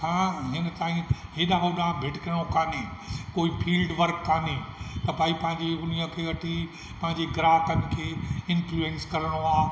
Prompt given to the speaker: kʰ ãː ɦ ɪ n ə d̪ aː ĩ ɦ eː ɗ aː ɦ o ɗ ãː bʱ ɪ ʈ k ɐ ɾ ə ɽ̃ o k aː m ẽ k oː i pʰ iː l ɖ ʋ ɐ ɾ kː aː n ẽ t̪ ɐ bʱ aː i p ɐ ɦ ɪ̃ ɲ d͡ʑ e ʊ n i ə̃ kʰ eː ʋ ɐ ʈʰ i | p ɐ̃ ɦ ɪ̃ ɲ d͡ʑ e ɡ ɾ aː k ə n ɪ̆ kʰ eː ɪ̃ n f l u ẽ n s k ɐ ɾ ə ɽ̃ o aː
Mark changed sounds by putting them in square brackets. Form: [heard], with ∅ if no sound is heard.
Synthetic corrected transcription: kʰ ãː ɦ ɪ n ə [t̪] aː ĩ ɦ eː ɗ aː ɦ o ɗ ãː bʱ ɪ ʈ k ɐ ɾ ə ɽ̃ o k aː [n] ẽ k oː i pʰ iː l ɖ ʋ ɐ ɾ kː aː n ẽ t̪ ɐ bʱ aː i p [ɐ̃] ɦ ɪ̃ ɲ d͡ʑ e ʊ n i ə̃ kʰ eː ʋ ɐ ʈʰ i | p ɐ̃ ɦ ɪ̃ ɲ d͡ʑ e ɡ ɾ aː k ə n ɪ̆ kʰ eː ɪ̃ n f l u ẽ n s k ɐ ɾ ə ɽ̃ o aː